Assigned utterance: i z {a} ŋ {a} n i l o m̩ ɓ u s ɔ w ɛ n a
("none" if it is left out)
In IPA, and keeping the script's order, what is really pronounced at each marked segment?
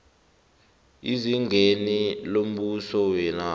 i, e

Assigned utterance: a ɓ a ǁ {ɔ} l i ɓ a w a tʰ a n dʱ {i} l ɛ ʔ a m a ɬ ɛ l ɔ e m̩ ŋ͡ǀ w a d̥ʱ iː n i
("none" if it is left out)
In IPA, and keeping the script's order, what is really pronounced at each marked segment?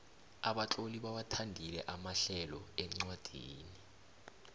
o, i

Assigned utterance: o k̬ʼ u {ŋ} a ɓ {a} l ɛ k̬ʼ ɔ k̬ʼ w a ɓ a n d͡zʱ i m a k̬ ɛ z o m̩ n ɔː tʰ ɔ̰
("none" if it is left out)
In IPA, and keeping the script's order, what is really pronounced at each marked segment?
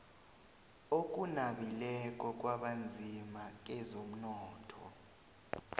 n, i

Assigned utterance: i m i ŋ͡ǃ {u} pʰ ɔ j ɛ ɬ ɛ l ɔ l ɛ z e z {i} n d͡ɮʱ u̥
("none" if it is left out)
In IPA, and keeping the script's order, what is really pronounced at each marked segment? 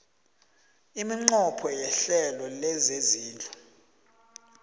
ɔ, iː

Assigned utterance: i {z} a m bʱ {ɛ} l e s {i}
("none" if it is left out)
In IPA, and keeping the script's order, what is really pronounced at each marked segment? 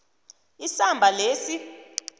s, a, i

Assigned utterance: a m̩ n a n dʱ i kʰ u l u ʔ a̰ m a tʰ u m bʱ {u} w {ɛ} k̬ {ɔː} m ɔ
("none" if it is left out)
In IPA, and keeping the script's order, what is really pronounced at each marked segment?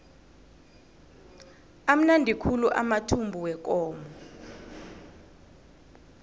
u, ɛ, ɔː

